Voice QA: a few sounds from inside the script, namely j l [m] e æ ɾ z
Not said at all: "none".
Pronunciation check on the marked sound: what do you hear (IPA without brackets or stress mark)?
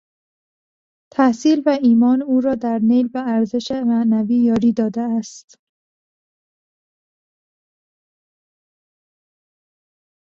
b